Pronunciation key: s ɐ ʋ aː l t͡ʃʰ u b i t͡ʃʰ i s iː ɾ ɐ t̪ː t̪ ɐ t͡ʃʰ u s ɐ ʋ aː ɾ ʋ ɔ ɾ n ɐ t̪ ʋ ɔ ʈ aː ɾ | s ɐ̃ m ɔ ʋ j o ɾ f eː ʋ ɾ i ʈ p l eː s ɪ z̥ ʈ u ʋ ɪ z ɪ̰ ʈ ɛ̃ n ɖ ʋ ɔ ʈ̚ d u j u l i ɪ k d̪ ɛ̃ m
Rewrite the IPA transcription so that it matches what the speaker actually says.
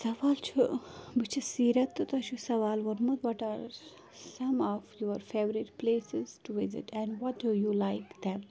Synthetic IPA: s ɐ ʋ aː l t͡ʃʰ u b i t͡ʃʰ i s iː ɾ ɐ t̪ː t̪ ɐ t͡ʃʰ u s ɐ ʋ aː l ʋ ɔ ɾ m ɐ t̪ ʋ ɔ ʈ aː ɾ | s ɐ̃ m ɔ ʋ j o ɾ f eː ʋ ɾ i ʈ p l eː s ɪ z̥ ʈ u ʋ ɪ z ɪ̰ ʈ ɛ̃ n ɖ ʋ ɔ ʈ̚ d u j u l a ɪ k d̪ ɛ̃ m

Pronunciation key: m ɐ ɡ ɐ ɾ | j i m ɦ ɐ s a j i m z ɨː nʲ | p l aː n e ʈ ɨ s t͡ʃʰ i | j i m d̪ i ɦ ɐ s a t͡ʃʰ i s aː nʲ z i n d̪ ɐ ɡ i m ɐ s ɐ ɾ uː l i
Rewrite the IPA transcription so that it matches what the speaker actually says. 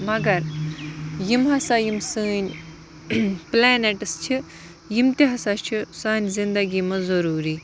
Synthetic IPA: m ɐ ɡ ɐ ɾ | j i m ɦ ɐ s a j i m s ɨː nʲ | p l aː n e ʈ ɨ s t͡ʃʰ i | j i m t̪ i ɦ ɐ s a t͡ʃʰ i s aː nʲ z i n d̪ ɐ ɡ i m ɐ z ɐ ɾ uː ɾ i

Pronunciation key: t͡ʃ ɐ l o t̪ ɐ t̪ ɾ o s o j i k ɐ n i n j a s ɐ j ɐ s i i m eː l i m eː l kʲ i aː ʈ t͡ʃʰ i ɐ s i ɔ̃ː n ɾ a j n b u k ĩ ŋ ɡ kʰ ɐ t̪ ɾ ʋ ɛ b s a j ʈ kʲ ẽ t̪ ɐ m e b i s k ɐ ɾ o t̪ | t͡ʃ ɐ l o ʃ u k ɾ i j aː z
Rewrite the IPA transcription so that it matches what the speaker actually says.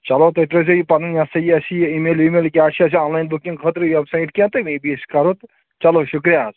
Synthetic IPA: t͡ʃ ɐ l o t̪ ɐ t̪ ɾ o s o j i p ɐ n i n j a s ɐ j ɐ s i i m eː l i m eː l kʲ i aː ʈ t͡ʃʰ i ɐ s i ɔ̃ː n l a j n b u k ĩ ŋ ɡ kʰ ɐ t̪ ɾ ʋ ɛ b s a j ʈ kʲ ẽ t̪ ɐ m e b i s k ɐ ɾ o t̪ | t͡ʃ ɐ l o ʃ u k ɾ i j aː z

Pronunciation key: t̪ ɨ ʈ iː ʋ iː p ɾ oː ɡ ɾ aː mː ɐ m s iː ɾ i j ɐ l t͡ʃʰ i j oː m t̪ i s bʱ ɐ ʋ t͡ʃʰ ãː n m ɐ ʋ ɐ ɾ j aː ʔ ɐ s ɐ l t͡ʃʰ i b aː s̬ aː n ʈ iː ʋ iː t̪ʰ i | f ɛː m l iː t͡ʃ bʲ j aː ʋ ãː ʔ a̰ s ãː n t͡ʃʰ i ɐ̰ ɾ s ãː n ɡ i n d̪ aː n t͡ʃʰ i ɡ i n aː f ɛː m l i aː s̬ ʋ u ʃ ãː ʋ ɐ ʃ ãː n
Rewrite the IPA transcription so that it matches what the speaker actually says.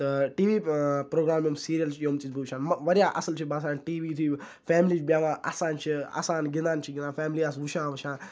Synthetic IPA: t̪ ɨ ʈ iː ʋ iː p ɾ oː ɡ ɾ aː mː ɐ m s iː ɾ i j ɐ l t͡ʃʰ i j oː m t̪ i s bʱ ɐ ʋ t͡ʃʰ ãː n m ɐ ʋ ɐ ɾ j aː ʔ ɐ s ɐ l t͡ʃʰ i b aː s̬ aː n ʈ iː ʋ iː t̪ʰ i | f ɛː m l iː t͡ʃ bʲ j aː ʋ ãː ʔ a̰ s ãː n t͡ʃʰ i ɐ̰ s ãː n ɡ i n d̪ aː n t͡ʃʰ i ɡ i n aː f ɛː m l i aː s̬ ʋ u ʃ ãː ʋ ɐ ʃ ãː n

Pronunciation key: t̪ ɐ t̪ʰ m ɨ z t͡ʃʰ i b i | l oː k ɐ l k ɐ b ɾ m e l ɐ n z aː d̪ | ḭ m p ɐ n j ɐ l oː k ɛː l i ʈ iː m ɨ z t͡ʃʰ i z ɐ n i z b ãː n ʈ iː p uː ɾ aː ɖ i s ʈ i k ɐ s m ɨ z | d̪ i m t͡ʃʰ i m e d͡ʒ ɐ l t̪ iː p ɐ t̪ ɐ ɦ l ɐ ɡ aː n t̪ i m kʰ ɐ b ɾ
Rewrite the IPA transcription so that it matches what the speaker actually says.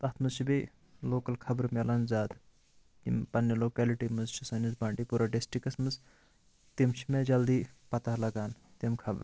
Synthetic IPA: t̪ ɐ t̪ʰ m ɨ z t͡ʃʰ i b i | l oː k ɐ l kʰ ɐ b ɾ m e l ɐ n z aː d̪ | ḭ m p ɐ n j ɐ l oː k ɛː l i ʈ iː m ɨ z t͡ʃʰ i s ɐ n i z b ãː ɳ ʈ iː p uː ɾ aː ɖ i s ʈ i k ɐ s m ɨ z | t̪ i m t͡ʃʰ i m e d͡ʒ ɐ l d̪ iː p ɐ t̪ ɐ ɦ l ɐ ɡ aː n t̪ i m kʰ ɐ b ɾ

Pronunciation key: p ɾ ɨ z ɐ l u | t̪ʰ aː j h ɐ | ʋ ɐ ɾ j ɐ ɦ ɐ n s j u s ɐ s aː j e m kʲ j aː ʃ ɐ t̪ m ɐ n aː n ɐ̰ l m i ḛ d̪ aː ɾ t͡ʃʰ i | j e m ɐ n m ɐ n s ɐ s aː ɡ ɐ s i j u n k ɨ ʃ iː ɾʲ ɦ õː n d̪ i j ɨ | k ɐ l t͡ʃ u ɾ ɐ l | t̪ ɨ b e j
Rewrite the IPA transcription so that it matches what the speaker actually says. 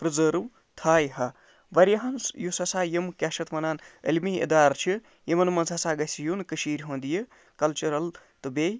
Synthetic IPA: p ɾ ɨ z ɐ ɾ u | t̪ʰ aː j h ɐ | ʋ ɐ ɾ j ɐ ɦ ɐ n s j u s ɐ s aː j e m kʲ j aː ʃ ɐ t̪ m ɐ n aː n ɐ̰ l m i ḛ d̪ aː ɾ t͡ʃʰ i | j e m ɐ n m ɐ n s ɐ s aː ɡ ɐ s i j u n k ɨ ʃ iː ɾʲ ɦ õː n d̪ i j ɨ | k ɐ l t͡ʃ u ɾ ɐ l | t̪ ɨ b e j

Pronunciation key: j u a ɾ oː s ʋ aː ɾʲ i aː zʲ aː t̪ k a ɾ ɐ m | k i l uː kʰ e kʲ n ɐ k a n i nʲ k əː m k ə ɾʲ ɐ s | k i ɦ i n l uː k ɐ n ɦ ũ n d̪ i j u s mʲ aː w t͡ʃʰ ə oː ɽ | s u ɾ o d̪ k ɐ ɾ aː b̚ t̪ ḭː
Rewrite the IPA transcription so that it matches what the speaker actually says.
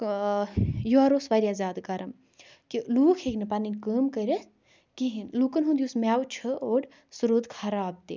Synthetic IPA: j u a ɾ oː s ʋ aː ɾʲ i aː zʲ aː d̪ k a ɾ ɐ m | k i l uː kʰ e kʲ n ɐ p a n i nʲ k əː m k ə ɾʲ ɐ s | k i ɦ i n l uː k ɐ n ɦ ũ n d̪ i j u s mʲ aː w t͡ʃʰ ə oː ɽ | s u ɾ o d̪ kʰ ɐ ɾ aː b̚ t̪ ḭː

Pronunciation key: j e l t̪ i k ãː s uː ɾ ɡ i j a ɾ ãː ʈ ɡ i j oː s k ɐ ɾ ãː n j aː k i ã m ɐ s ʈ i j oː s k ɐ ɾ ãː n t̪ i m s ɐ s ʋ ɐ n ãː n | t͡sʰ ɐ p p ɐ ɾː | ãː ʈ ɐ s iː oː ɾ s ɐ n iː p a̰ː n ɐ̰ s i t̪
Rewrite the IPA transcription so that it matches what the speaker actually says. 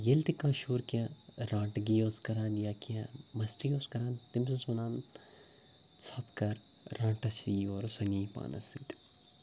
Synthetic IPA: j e l t̪ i k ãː ʃ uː ɾ k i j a ɾ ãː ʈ ɡ i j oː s k ɐ ɾ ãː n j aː k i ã m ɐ s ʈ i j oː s k ɐ ɾ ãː n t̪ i m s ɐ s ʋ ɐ n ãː n | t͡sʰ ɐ p k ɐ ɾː | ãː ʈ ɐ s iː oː ɾ s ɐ n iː p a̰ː n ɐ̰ s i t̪

